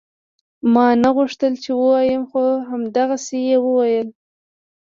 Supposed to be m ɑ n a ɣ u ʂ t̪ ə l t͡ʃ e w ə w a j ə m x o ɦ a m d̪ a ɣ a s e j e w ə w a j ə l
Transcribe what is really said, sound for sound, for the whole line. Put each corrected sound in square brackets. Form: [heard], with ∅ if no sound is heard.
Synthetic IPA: m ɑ n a ɣ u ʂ t̪ ə l t͡ʃ e w ə w [ɑ] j ə m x o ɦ a m d̪ a ɣ a s e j e w ə w a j ə l